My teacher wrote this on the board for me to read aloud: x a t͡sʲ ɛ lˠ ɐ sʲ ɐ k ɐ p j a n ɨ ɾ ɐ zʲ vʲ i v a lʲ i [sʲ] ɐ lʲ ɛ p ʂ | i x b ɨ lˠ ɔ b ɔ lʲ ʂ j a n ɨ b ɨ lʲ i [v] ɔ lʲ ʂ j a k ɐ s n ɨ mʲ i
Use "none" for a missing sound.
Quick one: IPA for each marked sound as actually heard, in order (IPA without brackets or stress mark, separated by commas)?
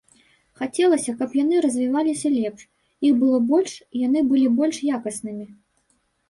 sʲ, b